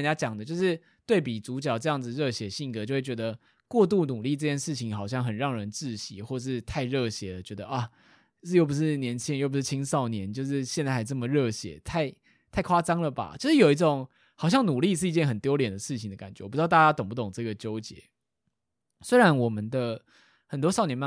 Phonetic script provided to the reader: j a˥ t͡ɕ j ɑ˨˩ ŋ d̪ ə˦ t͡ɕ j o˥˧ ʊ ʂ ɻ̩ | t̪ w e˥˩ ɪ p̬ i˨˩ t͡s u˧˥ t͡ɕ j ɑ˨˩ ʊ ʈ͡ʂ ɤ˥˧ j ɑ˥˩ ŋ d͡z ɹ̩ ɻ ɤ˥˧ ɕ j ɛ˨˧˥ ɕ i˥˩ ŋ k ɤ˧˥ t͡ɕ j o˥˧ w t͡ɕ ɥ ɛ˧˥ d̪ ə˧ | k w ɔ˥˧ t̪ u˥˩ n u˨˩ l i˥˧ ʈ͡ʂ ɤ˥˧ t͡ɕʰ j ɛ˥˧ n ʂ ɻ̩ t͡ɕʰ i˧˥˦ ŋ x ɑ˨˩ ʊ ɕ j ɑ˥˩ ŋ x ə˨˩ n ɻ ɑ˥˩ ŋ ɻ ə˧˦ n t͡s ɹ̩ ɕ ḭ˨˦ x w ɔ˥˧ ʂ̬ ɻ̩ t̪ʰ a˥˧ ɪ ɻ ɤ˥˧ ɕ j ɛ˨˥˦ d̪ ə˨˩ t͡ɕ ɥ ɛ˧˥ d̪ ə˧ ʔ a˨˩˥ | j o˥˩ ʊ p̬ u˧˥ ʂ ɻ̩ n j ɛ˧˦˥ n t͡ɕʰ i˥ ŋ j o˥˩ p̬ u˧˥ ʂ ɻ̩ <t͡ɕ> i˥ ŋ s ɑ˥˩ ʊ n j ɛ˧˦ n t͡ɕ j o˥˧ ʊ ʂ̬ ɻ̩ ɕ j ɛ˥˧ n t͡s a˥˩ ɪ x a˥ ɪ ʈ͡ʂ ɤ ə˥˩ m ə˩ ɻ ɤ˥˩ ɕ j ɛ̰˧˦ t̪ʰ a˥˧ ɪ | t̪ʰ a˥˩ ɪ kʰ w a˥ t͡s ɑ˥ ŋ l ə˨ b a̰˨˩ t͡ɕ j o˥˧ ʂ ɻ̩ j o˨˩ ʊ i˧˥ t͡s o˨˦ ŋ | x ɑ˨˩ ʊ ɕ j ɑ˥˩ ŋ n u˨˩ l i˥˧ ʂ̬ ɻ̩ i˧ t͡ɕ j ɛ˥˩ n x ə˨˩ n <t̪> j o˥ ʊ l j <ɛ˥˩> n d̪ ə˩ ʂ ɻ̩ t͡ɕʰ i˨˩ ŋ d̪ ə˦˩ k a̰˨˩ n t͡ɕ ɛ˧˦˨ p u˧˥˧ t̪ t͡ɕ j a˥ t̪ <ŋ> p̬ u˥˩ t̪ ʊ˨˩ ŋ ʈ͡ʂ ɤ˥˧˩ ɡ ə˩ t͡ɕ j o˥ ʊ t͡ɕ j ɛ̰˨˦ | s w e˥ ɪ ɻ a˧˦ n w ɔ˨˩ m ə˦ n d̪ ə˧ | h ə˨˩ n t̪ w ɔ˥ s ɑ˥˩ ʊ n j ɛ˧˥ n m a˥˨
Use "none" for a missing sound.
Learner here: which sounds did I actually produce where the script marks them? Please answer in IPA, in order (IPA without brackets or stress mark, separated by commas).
t͡ɕʰ, t̪, ɛ˨˩, ŋ